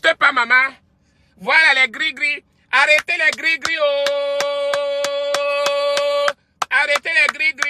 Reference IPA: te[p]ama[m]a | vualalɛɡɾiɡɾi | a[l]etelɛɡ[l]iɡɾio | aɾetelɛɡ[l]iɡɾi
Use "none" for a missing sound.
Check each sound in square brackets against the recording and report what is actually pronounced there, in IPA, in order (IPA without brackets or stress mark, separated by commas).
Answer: p, m, ɾ, ɾ, ɾ